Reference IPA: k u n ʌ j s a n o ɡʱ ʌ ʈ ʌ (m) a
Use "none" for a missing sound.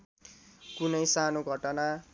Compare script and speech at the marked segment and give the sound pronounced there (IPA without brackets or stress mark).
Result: n